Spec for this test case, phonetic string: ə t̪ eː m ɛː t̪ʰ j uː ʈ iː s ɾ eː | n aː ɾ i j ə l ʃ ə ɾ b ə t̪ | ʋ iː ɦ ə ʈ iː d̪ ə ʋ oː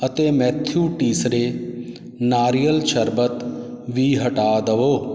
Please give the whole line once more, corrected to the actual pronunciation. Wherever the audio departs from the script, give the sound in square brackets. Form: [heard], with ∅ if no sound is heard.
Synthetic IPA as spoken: ə t̪ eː m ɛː t̪ʰ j uː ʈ iː s ɾ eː | n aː ɾ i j ə l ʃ ə ɾ b ə t̪ | ʋ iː ɦ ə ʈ [aː] d̪ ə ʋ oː